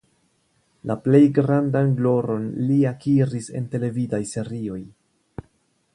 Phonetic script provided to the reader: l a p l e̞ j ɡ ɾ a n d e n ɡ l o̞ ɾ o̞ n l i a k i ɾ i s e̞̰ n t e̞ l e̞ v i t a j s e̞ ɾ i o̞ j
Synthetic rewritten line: l a p l e̞ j ɡ ɾ a n d a n ɡ l o̞ ɾ o̞ n l i a k i ɾ i s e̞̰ n t e̞ l e̞ v i d a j s e̞ ɾ i o̞ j